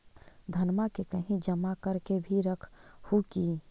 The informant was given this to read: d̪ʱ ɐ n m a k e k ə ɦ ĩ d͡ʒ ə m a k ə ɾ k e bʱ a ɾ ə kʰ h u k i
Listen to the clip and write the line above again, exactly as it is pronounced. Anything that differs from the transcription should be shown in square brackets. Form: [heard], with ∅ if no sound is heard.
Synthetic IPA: d̪ʱ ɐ n m a k e k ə ɦ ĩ d͡ʒ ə m a k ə ɾ k e bʱ [i] ɾ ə kʰ h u k i